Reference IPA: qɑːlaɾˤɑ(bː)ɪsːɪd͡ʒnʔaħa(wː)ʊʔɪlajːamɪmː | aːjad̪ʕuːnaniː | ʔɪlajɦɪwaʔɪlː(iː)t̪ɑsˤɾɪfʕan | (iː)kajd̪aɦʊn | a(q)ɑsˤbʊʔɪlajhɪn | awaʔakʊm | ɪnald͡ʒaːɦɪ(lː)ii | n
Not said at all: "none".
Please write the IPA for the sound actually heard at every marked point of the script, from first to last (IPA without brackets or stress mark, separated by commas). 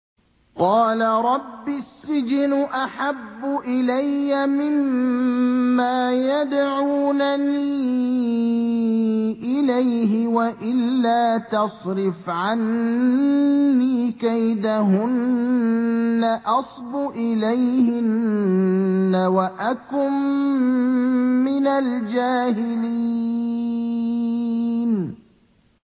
bː, bː, aː, iː, ʔ, l